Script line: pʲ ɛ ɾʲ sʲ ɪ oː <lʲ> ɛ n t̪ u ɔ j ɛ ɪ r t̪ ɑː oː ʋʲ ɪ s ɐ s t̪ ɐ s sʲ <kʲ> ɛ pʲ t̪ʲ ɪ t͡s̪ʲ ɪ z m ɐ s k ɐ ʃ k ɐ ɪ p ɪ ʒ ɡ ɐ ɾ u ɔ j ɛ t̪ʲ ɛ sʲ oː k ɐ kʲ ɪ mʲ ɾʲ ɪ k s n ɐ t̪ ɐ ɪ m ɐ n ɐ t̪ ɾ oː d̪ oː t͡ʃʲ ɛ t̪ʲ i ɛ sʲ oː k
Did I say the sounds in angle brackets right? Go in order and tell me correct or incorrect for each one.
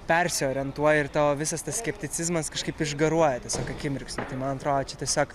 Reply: incorrect: ɾʲ, correct

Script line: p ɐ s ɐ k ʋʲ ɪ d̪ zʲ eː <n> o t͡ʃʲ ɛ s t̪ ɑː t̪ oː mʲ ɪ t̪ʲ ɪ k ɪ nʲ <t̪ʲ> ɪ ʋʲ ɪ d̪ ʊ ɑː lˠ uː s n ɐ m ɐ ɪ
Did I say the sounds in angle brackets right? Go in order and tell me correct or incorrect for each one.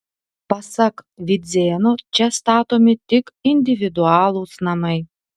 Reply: correct, incorrect: d̪ʲ

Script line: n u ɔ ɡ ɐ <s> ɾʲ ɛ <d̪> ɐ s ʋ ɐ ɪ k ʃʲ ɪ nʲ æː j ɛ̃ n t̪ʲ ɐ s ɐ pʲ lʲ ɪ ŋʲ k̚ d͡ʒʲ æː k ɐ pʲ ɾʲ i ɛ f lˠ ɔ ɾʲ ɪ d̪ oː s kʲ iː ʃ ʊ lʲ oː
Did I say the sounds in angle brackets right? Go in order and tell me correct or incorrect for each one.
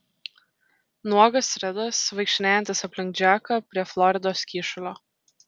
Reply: correct, correct

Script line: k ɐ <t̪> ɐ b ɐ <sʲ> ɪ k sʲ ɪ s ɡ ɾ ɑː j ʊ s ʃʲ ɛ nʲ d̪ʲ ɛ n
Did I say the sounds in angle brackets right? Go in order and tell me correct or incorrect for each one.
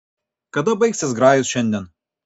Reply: incorrect: d̪, incorrect: none

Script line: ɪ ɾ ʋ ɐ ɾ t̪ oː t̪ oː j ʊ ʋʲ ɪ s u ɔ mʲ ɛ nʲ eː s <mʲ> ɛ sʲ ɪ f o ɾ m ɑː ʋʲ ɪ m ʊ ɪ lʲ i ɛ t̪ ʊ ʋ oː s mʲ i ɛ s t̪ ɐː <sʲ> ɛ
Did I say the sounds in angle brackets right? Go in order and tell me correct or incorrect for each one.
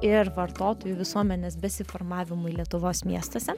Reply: incorrect: bʲ, correct

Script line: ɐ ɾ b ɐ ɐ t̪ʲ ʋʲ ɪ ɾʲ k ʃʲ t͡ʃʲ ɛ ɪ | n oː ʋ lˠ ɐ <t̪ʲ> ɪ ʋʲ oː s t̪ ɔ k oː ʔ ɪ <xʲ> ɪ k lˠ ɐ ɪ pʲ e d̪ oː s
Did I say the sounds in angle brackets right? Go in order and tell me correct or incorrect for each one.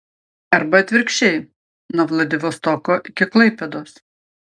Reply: incorrect: d̪ʲ, incorrect: kʲ

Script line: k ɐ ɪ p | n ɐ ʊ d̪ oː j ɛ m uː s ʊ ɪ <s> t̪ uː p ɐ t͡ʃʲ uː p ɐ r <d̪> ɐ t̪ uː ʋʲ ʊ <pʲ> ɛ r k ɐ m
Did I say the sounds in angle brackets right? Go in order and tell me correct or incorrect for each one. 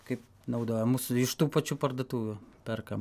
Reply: incorrect: ʃ, correct, correct

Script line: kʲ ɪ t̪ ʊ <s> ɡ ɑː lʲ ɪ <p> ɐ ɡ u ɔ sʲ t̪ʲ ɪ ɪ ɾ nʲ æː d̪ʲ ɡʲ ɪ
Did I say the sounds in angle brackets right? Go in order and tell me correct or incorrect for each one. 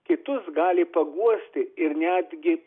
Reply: correct, correct

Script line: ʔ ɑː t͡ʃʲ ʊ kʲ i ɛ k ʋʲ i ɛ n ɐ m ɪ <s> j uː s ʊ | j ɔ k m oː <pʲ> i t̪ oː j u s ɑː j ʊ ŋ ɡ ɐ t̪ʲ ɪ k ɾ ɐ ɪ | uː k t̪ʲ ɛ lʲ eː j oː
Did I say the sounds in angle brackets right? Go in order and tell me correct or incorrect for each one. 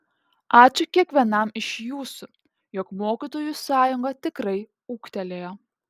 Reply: incorrect: ʃ, incorrect: kʲ

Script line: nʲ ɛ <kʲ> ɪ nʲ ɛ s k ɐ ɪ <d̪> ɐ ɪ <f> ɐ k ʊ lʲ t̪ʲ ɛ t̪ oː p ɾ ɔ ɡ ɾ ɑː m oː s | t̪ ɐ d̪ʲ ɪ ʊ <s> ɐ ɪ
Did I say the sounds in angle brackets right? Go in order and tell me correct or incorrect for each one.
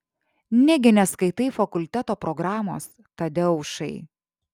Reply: incorrect: ɡʲ, incorrect: t̪, correct, incorrect: ʃ

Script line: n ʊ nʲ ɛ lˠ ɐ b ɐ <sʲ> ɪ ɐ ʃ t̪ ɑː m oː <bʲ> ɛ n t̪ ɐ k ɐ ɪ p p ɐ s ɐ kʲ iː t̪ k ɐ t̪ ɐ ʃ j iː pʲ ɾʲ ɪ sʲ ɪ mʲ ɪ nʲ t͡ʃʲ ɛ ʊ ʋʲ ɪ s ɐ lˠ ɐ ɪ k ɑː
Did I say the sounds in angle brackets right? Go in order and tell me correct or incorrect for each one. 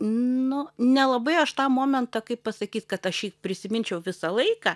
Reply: incorrect: none, incorrect: mʲ

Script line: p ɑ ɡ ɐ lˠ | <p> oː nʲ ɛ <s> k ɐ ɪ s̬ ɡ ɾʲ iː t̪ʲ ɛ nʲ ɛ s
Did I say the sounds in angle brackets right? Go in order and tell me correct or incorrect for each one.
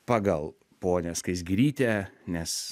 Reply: correct, correct

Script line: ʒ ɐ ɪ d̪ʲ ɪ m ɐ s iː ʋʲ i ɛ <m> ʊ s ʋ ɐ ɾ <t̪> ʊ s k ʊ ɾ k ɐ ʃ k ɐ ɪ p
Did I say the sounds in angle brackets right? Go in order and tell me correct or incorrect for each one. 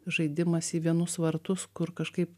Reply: incorrect: n, correct

